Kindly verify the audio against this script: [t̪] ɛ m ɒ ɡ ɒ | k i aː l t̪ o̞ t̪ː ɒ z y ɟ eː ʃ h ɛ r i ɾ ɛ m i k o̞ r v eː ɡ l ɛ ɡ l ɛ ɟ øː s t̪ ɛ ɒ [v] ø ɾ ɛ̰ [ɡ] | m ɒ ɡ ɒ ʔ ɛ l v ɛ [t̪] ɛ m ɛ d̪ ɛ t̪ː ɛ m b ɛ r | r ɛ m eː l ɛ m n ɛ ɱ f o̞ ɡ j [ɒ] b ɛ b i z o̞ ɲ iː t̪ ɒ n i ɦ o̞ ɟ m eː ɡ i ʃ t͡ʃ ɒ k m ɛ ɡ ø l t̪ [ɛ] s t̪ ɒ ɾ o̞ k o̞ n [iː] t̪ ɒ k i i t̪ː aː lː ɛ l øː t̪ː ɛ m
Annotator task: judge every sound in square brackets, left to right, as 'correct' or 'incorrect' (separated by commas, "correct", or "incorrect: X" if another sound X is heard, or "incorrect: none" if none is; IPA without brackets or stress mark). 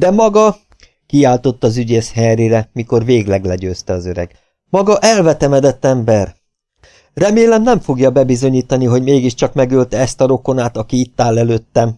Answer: incorrect: d̪, incorrect: z, correct, correct, correct, correct, incorrect: aː